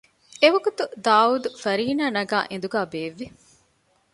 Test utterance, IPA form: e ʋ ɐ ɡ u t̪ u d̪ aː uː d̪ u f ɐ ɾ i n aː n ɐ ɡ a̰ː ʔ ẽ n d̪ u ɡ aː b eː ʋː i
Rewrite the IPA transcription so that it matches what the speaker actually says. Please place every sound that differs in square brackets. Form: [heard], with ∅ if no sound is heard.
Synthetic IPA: e ʋ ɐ ɡ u t̪ u d̪ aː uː d̪ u f ɐ ɾ [iː] n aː n ɐ ɡ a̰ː ʔ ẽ n d̪ u ɡ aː b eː ʋː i